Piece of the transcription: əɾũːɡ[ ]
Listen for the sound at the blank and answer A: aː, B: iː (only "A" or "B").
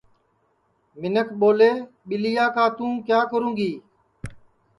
B